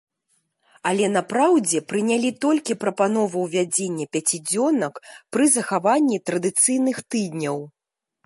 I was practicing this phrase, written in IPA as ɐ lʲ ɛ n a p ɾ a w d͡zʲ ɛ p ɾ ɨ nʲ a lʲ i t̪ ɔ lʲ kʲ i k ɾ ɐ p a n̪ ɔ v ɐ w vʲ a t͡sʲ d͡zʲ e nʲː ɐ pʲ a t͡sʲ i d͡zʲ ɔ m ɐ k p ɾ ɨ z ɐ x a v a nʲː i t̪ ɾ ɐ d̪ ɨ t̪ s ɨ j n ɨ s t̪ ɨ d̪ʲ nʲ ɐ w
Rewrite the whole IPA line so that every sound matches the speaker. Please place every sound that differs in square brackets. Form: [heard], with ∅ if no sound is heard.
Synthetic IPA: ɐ lʲ ɛ n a p ɾ a w d͡zʲ ɛ p ɾ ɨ nʲ a lʲ i t̪ ɔ lʲ kʲ i [p] ɾ ɐ p a n̪ ɔ v ɐ w vʲ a [∅] d͡zʲ e nʲː ɐ pʲ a t͡sʲ i d͡zʲ ɔ [n] ɐ k p ɾ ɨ z ɐ x a v a nʲː i t̪ ɾ ɐ d̪ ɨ t̪ s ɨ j n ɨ [x] t̪ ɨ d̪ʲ nʲ ɐ w

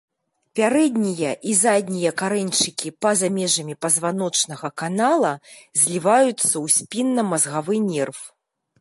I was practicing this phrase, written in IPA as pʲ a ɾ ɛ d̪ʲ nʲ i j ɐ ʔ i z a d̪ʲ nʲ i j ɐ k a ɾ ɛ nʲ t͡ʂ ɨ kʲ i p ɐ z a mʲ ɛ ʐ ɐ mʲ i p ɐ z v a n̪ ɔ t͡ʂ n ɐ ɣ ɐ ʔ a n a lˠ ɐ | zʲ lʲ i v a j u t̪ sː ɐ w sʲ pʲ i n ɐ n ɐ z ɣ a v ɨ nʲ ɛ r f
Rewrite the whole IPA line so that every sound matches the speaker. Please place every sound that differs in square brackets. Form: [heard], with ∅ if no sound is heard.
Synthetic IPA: pʲ a ɾ ɛ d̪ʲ nʲ i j ɐ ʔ i z a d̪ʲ nʲ i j ɐ k a ɾ ɛ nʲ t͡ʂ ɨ kʲ i p ɐ z a mʲ ɛ ʐ ɐ mʲ i p ɐ z v a n̪ ɔ t͡ʂ n ɐ ɣ ɐ [k] a n a lˠ ɐ | zʲ lʲ i v a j u t̪ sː ɐ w sʲ pʲ i [nː] ɐ [m] ɐ z ɣ a v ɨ nʲ ɛ r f

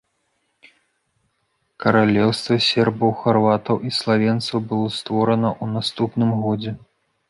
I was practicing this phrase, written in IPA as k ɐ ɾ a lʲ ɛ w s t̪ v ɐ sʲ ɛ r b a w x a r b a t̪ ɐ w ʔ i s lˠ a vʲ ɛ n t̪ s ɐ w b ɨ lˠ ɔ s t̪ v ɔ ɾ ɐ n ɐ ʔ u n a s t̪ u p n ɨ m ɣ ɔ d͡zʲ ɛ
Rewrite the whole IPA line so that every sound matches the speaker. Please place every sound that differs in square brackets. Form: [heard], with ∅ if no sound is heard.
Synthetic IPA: k ɐ ɾ a lʲ ɛ w s t̪ v ɐ sʲ ɛ r b [ɐ] w x a r [v] a t̪ ɐ w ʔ i s lˠ a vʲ ɛ n t̪ s ɐ w b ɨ lˠ ɔ s t̪ v ɔ ɾ ɐ n ɐ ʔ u n a s t̪ u p n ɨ m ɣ ɔ d͡zʲ ɛ

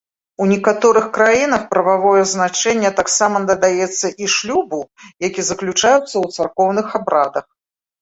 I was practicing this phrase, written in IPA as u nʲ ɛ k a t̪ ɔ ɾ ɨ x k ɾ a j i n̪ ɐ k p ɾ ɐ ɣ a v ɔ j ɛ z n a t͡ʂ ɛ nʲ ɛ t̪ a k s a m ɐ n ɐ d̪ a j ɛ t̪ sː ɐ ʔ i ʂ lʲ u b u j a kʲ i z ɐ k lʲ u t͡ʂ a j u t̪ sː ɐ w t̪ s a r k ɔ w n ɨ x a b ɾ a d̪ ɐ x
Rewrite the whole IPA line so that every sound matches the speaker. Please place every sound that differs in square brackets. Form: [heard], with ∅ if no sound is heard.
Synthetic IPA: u nʲ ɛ k a t̪ ɔ ɾ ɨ x k ɾ a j i n̪ ɐ [x] p ɾ ɐ [v] a v ɔ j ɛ z n a t͡ʂ ɛ [nʲː] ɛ t̪ a k s a m ɐ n ɐ d̪ a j ɛ t̪ sː ɐ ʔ i ʂ lʲ u b u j a kʲ i z ɐ k lʲ u t͡ʂ a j u t̪ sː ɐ w t̪ s a r k ɔ w n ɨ x a b ɾ a d̪ ɐ x

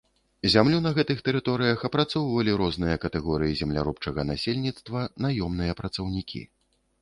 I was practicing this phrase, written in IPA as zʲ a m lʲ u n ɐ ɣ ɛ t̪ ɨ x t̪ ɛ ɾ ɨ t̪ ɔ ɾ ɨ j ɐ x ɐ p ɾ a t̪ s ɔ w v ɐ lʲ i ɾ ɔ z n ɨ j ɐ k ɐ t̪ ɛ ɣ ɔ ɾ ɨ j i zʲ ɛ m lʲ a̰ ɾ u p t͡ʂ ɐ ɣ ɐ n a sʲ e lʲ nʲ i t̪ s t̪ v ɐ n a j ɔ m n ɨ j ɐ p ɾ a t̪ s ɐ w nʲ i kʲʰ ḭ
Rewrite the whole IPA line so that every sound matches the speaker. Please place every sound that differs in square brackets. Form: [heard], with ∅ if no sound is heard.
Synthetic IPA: zʲ a m lʲ u n ɐ ɣ ɛ t̪ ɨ x t̪ ɛ ɾ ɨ t̪ ɔ ɾ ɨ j ɐ x ɐ p ɾ a t̪ s ɔ w v ɐ lʲ i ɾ ɔ z n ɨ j ɐ k ɐ t̪ ɛ ɣ ɔ ɾ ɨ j i zʲ ɛ m lʲ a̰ ɾ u p t͡ʂ ɐ ɣ ɐ n a sʲ e lʲ nʲ i t̪ s t̪ v ɐ n a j ɔ m n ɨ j ɐ p ɾ [ɐ] t̪ s ɐ w nʲ i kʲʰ ḭ

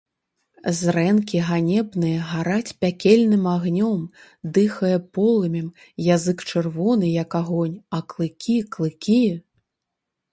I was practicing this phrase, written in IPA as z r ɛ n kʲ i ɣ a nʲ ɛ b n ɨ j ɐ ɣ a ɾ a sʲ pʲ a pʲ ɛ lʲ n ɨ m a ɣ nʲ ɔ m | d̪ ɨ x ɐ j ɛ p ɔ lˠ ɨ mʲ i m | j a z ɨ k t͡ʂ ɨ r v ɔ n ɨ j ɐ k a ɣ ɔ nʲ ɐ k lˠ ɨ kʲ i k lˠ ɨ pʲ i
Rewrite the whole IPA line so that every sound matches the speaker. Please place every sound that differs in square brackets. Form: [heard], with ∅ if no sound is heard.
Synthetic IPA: z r ɛ n kʲ i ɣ a nʲ ɛ b n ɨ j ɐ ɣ a ɾ a [t͡sʲ] pʲ a [kʲ] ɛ lʲ n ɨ m a ɣ nʲ ɔ m | d̪ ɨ x ɐ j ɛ p ɔ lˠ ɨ mʲ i m | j a z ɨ k t͡ʂ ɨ r v ɔ n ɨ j ɐ k a ɣ ɔ nʲ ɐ k lˠ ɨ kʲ i k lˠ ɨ [kʲ] i

